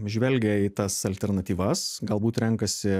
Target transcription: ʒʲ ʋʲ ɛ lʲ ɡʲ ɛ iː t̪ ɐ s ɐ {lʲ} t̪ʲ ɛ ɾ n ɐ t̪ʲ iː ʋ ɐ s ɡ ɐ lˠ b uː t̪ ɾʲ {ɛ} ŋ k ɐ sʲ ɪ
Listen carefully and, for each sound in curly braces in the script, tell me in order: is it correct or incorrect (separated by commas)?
correct, correct